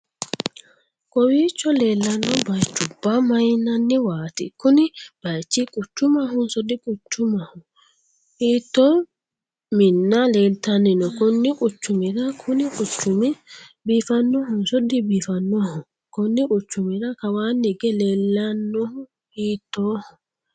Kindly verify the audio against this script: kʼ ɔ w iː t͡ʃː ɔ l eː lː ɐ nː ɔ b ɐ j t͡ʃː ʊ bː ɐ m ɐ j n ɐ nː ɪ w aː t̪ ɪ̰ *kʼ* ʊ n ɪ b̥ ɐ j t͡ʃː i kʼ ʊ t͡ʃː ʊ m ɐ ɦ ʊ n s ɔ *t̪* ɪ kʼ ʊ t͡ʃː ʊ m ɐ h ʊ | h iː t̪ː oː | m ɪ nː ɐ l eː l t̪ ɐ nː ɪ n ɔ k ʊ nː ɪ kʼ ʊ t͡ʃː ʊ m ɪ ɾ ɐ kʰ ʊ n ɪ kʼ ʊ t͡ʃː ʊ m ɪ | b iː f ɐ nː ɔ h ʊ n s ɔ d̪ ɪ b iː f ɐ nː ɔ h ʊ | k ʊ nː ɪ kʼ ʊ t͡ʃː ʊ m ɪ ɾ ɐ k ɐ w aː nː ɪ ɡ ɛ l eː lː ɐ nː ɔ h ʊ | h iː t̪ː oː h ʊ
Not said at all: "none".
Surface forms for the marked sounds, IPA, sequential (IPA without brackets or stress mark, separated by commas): k, d̪